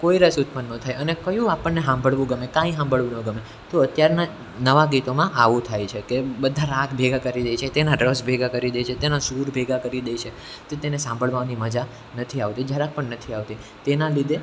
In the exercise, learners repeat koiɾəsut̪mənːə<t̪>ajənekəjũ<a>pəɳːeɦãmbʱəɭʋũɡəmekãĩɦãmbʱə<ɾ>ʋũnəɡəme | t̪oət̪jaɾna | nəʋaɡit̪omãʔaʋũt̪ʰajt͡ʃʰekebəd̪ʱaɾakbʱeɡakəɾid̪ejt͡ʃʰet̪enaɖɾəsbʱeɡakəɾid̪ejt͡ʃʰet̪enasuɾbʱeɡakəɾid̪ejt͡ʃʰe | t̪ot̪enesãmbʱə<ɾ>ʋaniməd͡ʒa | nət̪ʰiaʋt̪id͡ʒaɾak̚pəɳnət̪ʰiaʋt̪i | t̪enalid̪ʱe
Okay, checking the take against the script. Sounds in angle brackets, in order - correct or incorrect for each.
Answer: incorrect: t̪ʰ, correct, incorrect: ɭ, incorrect: ɭ

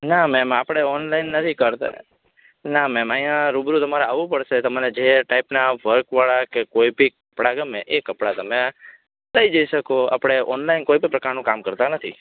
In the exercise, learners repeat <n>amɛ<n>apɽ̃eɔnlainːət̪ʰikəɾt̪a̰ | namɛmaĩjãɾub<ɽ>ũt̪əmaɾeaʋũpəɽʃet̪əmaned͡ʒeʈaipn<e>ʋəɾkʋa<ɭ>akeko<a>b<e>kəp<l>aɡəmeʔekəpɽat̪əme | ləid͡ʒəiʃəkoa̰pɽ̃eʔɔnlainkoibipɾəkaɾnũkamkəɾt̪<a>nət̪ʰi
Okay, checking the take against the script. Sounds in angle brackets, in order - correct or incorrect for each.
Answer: correct, incorrect: m, incorrect: ɾ, incorrect: a, correct, incorrect: i, incorrect: i, incorrect: ɽ, correct

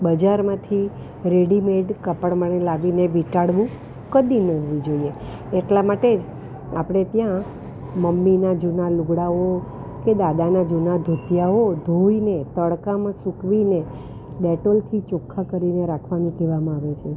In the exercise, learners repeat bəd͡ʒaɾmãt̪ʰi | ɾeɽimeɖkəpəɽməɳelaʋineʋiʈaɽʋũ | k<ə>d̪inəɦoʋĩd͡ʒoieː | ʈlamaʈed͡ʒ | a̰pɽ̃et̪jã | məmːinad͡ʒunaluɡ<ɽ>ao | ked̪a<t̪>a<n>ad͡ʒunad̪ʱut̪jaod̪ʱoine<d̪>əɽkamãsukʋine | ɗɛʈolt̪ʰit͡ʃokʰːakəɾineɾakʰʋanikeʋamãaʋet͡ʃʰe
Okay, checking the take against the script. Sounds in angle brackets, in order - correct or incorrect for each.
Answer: correct, correct, incorrect: d̪, correct, incorrect: t̪

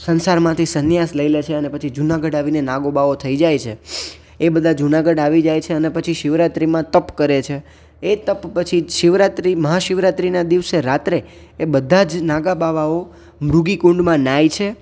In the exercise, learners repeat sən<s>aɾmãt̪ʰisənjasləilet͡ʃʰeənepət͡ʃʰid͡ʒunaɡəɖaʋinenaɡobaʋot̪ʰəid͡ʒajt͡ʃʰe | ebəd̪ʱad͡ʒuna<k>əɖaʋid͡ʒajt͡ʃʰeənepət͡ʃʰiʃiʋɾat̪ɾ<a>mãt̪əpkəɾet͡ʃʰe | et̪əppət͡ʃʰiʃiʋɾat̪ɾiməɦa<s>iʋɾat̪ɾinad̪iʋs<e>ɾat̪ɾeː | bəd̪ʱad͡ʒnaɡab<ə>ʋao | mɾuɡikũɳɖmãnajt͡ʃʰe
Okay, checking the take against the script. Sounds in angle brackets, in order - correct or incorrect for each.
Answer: correct, incorrect: ɡ, incorrect: i, incorrect: ʃ, correct, incorrect: a

